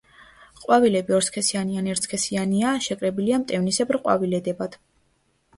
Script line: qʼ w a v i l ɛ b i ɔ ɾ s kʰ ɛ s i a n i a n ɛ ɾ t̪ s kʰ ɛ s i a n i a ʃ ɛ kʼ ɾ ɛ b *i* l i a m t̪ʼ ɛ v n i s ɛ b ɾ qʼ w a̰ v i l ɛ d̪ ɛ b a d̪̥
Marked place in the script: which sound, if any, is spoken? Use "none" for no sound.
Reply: i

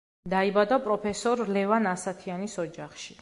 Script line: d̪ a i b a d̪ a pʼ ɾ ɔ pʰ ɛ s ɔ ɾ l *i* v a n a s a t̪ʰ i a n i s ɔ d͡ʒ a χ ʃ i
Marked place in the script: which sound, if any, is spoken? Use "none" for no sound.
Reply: ɛ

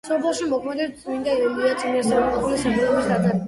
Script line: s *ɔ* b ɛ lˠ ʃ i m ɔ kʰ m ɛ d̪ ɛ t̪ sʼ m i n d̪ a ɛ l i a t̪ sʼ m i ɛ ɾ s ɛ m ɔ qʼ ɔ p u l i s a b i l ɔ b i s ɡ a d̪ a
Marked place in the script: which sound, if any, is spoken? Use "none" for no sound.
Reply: ɔ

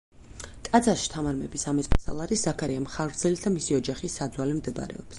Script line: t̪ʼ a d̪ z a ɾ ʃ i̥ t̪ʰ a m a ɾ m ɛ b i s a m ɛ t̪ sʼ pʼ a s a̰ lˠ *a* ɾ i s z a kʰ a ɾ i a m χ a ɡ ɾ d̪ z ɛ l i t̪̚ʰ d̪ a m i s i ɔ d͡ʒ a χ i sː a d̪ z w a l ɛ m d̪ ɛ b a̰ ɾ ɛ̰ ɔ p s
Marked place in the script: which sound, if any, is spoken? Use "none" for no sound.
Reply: a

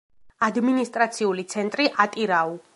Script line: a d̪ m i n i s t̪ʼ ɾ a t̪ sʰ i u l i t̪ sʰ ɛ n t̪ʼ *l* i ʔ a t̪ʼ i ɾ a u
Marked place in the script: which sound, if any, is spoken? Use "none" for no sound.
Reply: ɾ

